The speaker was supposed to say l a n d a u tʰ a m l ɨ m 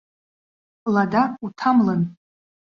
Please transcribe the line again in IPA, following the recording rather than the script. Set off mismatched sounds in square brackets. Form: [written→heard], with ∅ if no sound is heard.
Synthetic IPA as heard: l a [n→∅] d a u tʰ a m l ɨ [m→n]

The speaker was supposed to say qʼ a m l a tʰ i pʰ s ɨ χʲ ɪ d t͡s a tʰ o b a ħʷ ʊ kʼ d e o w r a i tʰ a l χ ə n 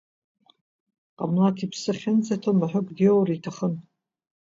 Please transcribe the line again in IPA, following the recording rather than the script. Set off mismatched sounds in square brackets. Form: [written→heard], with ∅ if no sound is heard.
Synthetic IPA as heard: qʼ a m l a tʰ i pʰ s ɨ χʲ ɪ [d→n] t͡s a tʰ o [b→m] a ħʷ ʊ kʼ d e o w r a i tʰ a [l→∅] χ ə n

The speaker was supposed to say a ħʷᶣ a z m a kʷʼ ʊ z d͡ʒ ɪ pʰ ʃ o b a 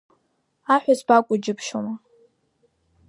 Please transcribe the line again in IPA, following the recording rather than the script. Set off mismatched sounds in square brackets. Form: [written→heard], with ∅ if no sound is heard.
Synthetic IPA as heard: a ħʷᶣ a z [m→b] a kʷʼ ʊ [z→∅] d͡ʒ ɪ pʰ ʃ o [b→m] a

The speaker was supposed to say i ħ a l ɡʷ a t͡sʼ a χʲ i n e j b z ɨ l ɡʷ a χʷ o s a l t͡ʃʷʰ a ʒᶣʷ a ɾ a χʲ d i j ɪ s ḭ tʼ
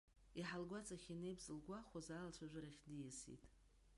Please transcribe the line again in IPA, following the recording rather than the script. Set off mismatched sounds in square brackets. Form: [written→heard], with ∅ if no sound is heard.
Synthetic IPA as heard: i ħ a l ɡʷ a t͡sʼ a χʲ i n e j b z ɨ l ɡʷ a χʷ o [s→z] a l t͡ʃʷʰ a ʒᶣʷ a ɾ a χʲ d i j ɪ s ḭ tʼ

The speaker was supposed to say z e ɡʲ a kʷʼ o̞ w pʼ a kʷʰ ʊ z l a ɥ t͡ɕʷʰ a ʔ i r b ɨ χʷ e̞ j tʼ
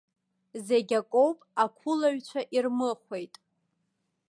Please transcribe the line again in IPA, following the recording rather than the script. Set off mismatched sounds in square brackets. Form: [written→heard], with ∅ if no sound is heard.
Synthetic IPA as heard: z e ɡʲ a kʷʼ o̞ w pʼ a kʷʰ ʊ [z→∅] l a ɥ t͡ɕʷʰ a ʔ i r [b→m] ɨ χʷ e̞ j tʼ

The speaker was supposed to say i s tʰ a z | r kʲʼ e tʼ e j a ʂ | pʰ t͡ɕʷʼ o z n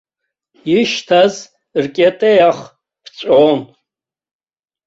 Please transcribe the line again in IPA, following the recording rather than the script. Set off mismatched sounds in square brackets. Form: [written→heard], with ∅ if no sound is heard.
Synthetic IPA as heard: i [s→ʃ] tʰ a z | r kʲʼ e tʼ e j a [ʂ→χ] | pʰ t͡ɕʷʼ o [z→∅] n

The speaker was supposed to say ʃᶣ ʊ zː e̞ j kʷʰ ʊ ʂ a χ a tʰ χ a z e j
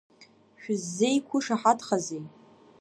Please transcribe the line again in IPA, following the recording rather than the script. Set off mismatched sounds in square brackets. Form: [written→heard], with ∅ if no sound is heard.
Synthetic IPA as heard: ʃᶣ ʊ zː e̞ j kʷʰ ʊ ʂ a [χ→ħ] a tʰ χ a z e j

